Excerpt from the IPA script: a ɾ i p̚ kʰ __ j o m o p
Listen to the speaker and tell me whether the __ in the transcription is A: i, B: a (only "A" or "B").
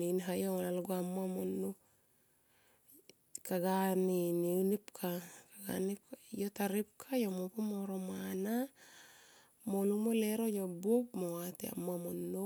B